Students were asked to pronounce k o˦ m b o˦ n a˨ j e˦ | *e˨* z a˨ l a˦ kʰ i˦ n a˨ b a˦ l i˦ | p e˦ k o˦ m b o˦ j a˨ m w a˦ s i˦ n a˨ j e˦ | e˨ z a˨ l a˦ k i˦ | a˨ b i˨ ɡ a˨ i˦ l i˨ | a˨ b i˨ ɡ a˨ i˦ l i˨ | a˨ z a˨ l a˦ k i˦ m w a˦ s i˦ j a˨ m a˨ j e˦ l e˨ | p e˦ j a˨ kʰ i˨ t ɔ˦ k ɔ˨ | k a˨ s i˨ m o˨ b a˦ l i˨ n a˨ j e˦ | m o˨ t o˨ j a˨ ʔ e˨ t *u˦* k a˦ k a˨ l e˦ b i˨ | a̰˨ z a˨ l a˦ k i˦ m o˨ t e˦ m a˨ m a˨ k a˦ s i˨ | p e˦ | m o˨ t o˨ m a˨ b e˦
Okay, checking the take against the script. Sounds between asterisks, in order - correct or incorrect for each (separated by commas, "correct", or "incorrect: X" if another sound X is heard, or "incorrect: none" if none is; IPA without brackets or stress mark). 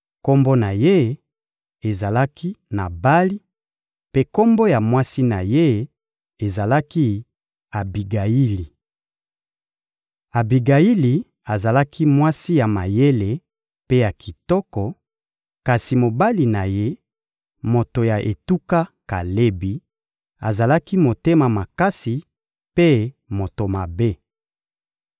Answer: correct, correct